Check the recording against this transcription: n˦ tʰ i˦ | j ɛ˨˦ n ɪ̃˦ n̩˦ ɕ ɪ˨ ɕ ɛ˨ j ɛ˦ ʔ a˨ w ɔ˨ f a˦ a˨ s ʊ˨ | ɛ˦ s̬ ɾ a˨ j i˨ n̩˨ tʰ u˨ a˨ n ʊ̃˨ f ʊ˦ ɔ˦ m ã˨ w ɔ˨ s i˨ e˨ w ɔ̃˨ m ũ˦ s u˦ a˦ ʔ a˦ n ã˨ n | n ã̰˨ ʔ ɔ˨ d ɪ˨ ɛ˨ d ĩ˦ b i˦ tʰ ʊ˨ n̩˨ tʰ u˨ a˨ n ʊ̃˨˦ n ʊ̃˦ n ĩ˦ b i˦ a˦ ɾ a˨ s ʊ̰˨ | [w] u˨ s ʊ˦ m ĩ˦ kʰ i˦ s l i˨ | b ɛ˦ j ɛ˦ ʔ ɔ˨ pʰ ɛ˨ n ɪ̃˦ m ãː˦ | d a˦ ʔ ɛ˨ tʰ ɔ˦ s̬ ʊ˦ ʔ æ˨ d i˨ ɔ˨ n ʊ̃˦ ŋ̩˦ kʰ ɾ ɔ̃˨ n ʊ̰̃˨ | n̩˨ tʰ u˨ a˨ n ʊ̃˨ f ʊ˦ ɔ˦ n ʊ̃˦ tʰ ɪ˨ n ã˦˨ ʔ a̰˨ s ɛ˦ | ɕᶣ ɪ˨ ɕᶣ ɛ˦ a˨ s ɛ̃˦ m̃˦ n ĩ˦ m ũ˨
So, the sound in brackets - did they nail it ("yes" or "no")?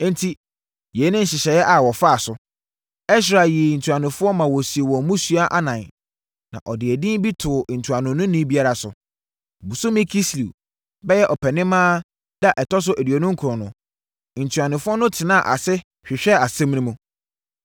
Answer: no